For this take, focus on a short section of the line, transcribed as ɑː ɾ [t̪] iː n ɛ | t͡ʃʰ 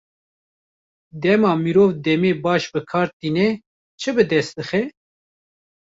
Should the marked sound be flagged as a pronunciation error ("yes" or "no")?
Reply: no